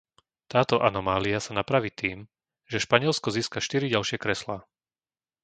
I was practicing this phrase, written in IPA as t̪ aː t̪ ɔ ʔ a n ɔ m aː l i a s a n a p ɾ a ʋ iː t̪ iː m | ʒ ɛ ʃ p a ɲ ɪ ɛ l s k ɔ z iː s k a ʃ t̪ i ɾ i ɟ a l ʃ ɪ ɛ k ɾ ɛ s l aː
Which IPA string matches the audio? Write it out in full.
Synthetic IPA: t̪ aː t̪ ɔ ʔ a n ɔ m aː l i a s a n a p ɾ a ʋ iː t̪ iː m | ʒ ɛ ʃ p a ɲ ɪ ɛ l s k ɔ z iː s k a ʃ t̪ i ɾ i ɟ a l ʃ ɪ ɛ k ɾ ɛ s l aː

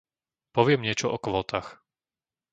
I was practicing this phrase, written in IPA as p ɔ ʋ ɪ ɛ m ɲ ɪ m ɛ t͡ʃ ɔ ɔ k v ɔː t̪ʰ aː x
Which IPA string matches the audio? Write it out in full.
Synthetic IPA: p ɔ ʋ ɪ ɛ m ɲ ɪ ɛ t͡ʃ ɔ ɔ k ʋ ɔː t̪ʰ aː x

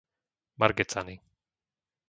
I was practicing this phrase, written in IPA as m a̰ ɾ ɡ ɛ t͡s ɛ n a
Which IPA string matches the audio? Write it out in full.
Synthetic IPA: m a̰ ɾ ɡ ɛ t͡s a n i

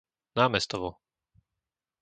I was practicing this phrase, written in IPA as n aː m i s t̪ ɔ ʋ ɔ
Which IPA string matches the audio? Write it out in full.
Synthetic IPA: n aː m ɛ s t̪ ɔ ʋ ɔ

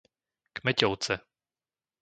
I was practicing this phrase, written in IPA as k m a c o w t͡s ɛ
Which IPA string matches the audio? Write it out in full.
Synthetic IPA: k m ɛ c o w t͡s ɛ

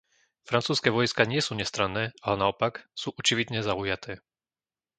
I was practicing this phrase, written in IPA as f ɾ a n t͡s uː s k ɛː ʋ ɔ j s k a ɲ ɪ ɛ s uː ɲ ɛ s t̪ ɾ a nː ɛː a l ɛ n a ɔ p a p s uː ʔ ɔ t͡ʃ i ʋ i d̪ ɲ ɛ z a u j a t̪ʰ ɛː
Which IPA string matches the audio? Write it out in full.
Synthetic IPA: f ɾ a n t͡s uː s k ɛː ʋ ɔ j s k a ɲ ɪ ɛ s uː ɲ ɛ s t̪ ɾ a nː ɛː a l ɛ n a ɔ p a k s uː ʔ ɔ t͡ʃ i ʋ i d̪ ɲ ɛ z a u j a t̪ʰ ɛː

